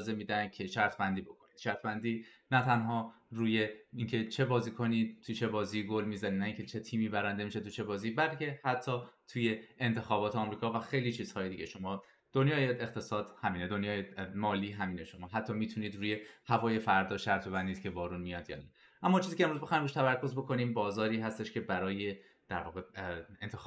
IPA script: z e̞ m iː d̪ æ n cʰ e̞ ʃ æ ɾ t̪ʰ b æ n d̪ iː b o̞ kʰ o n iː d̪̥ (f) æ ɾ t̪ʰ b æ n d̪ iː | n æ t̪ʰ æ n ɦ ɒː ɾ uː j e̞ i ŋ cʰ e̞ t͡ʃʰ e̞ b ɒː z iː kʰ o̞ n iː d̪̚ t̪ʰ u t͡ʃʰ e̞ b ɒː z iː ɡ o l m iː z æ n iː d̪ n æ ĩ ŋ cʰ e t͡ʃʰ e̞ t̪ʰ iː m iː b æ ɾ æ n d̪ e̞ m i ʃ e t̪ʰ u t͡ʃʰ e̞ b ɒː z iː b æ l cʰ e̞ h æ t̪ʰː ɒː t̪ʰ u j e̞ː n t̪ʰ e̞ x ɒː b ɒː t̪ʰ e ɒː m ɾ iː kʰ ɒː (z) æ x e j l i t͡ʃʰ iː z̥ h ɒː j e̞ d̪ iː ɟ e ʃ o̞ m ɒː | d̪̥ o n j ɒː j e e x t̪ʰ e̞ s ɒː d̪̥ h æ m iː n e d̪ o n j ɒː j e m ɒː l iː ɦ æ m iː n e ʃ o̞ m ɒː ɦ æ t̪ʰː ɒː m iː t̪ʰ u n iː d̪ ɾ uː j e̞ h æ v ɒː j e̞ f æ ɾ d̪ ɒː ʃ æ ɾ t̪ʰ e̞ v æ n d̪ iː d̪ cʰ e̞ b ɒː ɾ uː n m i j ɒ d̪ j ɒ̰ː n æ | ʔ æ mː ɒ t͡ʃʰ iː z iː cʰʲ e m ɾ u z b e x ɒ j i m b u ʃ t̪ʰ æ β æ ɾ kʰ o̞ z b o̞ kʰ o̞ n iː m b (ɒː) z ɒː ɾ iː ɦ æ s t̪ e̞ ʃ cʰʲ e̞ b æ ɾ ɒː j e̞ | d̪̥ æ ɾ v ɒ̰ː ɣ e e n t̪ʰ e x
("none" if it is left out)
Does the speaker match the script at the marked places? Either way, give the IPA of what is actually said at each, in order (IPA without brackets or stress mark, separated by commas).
ʃ, v, ɒː